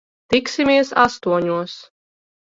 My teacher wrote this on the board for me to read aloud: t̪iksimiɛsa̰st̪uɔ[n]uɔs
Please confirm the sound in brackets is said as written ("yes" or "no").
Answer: no